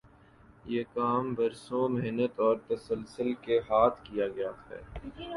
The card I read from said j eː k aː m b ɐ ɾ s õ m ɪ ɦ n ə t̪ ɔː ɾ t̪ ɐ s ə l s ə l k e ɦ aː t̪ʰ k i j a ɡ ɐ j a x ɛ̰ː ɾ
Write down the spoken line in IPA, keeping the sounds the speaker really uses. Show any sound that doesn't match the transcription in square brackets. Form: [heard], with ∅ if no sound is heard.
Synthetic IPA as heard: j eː k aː m b ɐ ɾ s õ m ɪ ɦ n ə t̪ ɔː ɾ t̪ ɐ s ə l s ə l k e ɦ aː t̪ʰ k i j a ɡ ɐ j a x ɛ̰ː ɾ